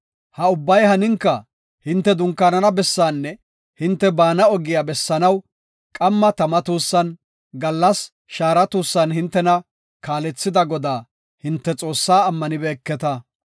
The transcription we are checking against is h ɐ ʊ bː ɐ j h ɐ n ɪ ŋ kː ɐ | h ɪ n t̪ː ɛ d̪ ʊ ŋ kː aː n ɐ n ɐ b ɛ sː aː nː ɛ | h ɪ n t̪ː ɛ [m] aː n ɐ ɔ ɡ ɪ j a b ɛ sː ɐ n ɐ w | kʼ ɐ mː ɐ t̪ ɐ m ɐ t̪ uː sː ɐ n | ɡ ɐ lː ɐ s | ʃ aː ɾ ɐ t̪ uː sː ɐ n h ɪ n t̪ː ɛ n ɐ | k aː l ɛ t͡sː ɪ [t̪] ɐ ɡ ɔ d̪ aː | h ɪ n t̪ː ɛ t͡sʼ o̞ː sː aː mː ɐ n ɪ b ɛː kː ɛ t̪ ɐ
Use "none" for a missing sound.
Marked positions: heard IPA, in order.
b, d̪

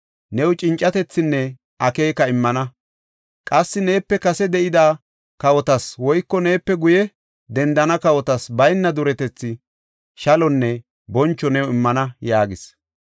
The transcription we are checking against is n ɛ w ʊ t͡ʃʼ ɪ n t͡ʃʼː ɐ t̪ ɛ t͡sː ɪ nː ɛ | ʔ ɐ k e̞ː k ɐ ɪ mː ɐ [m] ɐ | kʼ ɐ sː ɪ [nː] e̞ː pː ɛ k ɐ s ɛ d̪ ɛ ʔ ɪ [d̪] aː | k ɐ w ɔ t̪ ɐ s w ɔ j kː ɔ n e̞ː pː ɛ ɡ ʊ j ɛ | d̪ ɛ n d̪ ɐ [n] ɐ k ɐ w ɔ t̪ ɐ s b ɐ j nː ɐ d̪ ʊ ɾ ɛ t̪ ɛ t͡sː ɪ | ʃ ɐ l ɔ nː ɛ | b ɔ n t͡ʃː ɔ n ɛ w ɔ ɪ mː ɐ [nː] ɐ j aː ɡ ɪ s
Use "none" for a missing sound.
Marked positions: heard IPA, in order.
n, n, d̪, n, n

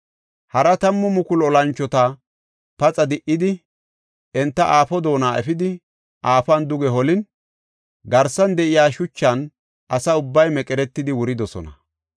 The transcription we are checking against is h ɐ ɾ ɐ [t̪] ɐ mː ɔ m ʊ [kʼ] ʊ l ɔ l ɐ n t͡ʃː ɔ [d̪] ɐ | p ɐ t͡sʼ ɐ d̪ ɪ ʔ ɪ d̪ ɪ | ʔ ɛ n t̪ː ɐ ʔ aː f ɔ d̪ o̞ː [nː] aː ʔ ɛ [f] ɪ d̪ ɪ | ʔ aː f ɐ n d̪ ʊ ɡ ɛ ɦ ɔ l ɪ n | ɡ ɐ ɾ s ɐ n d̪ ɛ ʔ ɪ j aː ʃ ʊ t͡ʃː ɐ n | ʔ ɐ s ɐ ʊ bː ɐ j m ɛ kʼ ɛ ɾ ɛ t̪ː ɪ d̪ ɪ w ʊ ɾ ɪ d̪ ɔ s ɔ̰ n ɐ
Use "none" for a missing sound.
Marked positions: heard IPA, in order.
t̪, k, t̪, n, f

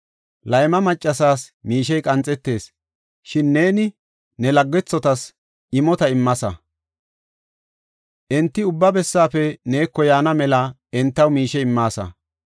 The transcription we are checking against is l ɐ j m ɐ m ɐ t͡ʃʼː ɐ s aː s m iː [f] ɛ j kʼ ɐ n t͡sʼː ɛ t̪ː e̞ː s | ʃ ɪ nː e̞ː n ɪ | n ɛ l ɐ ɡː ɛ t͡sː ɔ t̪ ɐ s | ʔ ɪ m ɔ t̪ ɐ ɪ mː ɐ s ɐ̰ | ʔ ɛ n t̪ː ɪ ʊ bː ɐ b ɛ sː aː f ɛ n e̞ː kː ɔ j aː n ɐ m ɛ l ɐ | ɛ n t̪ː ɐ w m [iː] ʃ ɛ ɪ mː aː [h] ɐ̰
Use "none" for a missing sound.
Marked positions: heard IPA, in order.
ʃ, iː, s

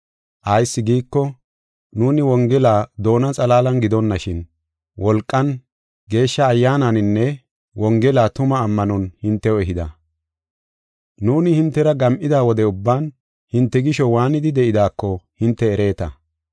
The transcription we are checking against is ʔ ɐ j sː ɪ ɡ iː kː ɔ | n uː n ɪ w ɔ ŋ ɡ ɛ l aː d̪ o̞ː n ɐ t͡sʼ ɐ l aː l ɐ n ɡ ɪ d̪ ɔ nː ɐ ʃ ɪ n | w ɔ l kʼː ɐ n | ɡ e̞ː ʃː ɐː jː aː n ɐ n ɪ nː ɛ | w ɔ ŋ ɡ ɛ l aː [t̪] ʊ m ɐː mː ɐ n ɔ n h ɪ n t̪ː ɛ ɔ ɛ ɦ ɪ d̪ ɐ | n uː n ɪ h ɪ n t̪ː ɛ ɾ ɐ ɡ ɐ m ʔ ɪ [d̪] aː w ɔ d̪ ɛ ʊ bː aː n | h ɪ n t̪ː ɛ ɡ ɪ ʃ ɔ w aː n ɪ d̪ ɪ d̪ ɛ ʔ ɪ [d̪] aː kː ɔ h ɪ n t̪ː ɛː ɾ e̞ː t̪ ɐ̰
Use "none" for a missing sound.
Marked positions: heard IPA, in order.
t̪, d̪, d̪

